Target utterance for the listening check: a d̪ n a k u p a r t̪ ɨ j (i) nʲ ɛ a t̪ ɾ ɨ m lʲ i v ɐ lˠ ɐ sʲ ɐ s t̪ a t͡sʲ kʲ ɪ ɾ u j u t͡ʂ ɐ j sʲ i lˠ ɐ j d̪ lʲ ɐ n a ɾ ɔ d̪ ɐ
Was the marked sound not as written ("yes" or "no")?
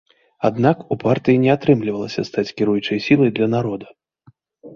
no